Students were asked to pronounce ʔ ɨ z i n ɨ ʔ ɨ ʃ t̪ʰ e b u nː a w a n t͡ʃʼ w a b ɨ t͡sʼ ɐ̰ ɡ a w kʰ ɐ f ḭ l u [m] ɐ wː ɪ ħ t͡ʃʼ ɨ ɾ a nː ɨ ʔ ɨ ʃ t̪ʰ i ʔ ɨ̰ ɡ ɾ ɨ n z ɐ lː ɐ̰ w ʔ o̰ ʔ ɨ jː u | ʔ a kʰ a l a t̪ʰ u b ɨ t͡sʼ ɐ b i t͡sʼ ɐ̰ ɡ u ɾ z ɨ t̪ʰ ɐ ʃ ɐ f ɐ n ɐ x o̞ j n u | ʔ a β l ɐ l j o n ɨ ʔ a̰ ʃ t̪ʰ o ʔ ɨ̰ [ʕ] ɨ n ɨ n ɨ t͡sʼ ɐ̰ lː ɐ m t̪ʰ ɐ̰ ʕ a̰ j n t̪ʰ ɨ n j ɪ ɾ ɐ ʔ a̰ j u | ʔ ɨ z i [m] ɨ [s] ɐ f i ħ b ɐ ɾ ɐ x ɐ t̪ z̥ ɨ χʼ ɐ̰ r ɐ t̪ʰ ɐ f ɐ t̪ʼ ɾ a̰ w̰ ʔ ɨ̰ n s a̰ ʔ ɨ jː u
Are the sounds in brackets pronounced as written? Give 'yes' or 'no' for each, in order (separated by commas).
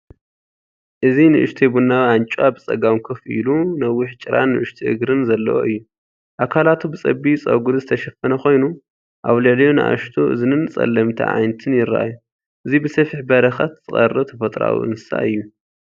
no, no, no, yes